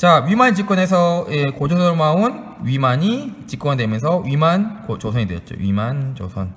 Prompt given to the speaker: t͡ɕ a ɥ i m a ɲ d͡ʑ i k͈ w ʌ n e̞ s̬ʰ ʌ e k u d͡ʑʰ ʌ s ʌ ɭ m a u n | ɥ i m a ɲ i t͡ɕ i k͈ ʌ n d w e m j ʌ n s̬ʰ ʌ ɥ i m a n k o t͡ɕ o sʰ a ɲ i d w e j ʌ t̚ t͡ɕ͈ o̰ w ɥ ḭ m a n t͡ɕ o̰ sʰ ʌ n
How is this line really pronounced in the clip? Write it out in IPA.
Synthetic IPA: t͡ɕ a ɥ i m a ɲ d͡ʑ i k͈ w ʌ n e̞ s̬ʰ ʌ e k o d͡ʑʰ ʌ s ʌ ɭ m a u n | ɥ i m a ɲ i t͡ɕ i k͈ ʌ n d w e m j ʌ n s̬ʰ ʌ ɥ i m a n k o t͡ɕ o sʰ ʌ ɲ i d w e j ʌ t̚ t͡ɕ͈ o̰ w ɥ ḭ m a n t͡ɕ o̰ sʰ ʌ n